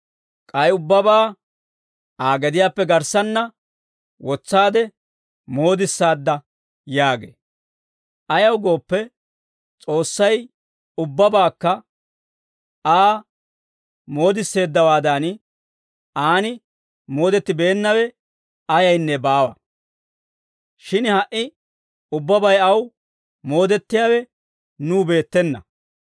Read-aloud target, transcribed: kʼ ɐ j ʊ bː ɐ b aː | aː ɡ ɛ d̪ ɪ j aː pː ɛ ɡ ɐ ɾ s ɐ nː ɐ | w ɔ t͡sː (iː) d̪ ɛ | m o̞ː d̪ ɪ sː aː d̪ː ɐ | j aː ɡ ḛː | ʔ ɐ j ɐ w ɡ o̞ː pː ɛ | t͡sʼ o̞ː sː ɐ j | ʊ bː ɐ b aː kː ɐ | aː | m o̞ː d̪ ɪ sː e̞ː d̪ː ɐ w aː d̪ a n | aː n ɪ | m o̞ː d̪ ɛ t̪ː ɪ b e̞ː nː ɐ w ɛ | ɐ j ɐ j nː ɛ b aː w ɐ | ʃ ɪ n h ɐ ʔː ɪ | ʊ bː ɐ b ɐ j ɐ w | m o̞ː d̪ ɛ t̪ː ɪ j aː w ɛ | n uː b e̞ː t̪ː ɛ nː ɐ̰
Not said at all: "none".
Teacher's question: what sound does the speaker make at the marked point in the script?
aː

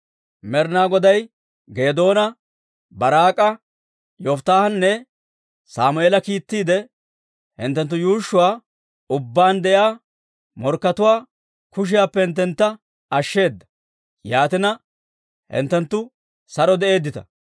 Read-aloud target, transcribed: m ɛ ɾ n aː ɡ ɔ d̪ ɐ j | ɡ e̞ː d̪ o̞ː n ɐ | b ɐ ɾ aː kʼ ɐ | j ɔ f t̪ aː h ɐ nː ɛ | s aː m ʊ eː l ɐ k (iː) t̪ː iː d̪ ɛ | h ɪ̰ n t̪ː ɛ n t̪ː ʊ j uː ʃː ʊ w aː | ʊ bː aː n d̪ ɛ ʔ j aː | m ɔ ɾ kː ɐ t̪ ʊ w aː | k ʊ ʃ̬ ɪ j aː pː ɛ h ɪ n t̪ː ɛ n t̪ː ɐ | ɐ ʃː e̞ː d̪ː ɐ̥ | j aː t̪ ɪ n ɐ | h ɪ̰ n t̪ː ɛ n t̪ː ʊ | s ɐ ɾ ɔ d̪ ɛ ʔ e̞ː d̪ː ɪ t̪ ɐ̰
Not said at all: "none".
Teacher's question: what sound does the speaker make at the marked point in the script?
iː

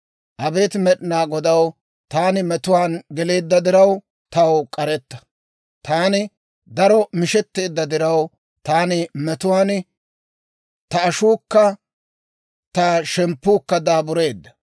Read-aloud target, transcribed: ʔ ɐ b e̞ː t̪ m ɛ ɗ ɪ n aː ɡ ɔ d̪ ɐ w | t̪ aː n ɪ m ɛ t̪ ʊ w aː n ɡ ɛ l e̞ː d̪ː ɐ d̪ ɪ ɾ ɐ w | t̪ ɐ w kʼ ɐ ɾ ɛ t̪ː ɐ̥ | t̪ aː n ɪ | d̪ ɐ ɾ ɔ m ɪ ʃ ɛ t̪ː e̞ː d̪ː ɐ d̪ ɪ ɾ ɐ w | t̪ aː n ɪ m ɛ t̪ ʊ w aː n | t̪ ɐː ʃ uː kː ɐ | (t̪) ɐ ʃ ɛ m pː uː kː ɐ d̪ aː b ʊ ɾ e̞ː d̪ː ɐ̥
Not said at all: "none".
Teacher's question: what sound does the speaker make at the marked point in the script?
t̪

